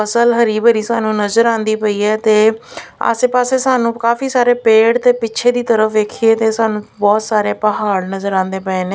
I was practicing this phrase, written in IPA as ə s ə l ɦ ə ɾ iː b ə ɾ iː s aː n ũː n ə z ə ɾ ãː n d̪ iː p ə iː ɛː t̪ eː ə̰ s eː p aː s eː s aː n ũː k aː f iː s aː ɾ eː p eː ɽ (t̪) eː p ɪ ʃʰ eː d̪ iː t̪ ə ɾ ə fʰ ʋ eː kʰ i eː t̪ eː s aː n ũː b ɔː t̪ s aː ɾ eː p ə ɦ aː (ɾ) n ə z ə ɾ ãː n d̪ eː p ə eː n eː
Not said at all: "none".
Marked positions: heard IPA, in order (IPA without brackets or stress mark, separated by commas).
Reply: t̪, ɽ